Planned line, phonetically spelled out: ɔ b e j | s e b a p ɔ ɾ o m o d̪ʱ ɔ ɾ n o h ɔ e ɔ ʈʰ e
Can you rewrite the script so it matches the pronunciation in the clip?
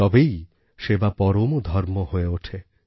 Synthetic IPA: ɔ b e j | ʃ e b a p ɔ ɾ o m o d̪ʱ ɔ ɾ m o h o e o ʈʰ e